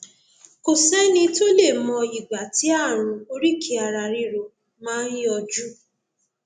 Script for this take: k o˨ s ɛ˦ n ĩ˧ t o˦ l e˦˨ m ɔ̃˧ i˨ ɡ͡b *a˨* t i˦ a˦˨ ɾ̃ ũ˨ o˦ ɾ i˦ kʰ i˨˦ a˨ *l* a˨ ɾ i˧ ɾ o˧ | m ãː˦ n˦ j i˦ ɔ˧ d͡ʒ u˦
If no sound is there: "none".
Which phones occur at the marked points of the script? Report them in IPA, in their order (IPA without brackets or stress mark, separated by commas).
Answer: a˨, ɾ